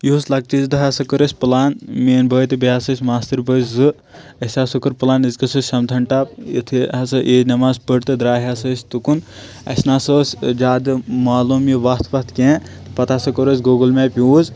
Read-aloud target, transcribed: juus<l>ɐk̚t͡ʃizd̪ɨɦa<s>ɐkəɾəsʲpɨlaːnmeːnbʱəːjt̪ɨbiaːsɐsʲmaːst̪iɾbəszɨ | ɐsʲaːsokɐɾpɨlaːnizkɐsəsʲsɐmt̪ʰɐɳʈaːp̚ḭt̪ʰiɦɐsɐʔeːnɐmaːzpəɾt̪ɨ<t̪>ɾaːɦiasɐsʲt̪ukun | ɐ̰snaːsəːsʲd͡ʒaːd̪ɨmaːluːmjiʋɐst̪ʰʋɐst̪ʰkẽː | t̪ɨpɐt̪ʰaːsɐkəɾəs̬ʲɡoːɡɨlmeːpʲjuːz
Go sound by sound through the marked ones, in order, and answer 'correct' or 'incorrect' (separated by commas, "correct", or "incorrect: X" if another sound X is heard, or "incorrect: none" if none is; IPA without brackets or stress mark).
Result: correct, correct, incorrect: d̪